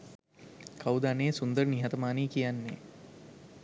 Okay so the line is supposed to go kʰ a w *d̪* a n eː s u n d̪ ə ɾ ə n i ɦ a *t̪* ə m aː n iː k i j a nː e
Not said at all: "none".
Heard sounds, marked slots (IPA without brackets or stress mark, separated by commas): d̪, t̪